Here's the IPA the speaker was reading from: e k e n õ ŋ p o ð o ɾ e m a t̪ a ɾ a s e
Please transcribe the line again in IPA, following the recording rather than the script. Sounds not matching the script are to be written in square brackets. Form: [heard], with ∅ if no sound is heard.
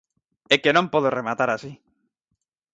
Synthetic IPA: e k e n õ [m] p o ð o [r] e m a t̪ a ɾ a s [i]